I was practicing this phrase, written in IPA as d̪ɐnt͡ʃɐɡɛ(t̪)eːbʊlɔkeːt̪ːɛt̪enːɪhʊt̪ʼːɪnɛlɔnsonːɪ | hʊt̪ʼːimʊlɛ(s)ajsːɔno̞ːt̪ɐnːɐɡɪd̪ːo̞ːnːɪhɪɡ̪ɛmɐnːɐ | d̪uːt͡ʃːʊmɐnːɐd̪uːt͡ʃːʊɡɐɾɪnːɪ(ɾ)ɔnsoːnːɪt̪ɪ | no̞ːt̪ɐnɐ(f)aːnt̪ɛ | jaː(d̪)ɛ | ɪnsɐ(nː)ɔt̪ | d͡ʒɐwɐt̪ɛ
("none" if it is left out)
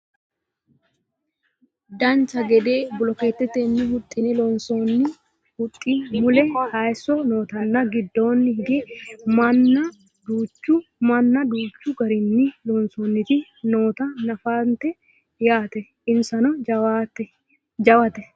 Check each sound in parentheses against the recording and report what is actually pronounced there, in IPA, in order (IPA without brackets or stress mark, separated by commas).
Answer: d̪, h, l, f, t̪, n